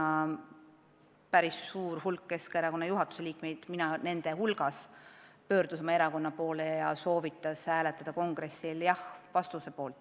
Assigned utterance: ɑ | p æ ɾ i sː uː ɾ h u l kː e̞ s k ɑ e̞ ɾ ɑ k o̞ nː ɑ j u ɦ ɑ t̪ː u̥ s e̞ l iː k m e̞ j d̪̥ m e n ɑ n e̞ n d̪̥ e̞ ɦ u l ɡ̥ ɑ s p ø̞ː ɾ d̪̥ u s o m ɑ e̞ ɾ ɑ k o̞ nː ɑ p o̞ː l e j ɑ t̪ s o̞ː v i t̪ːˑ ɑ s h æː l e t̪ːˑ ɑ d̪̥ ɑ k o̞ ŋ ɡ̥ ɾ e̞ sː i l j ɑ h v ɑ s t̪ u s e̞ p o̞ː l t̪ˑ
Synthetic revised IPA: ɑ | p æ ɾ i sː uː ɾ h u l kː e̞ s k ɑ e̞ ɾ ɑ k o̞ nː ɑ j u ɦ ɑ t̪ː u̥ s e̞ l iː k m e̞ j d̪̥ m i n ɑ n e̞ n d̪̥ e̞ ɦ u l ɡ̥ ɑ s p ø̞ː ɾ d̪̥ u s o m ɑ e̞ ɾ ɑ k o̞ nː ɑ p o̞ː l e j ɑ s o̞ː v i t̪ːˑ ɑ s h æː l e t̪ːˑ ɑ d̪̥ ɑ k o̞ ŋ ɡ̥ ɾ e̞ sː i l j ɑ h v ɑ s t̪ u s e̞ p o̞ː l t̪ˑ

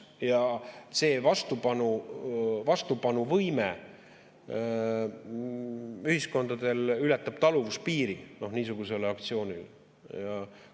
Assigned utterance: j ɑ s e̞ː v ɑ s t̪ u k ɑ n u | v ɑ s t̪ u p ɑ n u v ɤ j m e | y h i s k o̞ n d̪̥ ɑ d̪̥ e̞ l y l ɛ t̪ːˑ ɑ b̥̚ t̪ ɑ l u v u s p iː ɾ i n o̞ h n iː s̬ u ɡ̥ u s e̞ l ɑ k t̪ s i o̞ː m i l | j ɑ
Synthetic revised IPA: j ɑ s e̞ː v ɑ s t̪ u p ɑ n u | v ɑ s t̪ u p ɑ n u v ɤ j m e | y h i s k o̞ n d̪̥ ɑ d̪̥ e̞ l y l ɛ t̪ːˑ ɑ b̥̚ t̪ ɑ l u v u s p iː ɾ i n o̞ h n iː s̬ u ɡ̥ u s e̞ l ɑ k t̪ s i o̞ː n i l | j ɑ

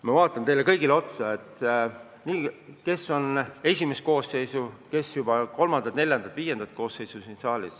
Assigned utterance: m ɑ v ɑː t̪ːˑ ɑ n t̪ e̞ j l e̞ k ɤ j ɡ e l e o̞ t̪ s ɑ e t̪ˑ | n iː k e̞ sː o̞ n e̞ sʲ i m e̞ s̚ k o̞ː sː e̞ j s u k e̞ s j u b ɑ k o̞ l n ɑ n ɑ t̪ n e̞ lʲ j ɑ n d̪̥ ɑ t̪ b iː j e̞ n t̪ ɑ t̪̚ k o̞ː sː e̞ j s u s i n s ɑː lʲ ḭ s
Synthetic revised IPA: m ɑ v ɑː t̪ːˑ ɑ n t̪ e̞ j l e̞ k ɤ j ɡ i l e o̞ t̪ s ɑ e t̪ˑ | n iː k e̞ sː o̞ n e̞ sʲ i m e̞ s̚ k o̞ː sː e̞ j s u k e̞ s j u b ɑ k o̞ l m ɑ n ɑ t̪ n e̞ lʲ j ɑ n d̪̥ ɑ t̪ v iː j e̞ n d̪ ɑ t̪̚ k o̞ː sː e̞ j s u s i n s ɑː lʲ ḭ s

